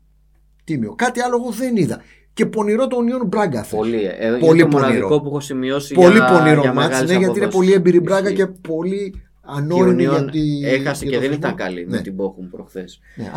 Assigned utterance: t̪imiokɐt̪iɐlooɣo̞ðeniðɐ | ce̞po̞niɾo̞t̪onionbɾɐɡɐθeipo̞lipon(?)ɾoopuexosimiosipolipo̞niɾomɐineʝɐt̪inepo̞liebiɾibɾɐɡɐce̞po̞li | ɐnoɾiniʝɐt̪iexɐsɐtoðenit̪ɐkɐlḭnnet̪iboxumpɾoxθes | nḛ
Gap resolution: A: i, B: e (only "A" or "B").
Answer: A